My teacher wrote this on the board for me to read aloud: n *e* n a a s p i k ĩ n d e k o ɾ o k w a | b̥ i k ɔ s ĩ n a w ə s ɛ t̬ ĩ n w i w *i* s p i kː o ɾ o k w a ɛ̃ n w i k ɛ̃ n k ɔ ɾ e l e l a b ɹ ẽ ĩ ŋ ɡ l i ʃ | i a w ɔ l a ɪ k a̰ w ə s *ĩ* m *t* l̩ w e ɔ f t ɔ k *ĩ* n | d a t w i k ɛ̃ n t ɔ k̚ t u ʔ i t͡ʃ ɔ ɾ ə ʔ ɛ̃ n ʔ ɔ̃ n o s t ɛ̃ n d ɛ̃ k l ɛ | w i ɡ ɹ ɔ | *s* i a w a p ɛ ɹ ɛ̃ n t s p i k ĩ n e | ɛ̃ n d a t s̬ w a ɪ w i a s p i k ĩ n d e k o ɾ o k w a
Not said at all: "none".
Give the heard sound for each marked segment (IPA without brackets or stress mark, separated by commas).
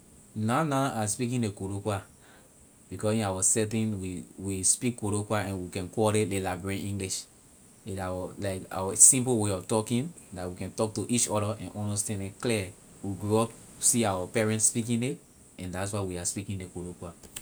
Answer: a, i, ĩ, p, ĩ, s